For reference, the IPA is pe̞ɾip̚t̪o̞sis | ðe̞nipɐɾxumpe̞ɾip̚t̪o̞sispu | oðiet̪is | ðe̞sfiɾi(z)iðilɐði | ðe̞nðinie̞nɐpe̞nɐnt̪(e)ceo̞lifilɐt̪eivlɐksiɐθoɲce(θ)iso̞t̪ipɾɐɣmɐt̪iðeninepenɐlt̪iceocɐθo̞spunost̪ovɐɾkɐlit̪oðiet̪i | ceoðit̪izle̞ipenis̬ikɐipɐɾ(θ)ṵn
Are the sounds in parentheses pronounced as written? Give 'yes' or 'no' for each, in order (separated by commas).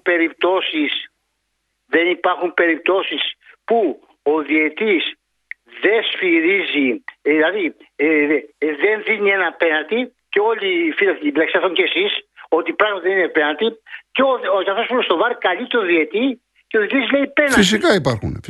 yes, no, no, no